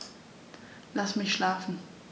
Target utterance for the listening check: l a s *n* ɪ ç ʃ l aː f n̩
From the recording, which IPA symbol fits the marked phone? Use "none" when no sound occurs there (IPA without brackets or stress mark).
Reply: m